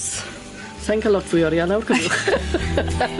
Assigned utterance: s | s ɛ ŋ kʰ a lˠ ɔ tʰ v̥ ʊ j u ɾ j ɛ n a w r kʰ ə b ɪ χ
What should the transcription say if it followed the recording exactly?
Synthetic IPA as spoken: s | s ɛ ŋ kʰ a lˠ ɔ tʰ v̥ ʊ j ɔ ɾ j a n a w r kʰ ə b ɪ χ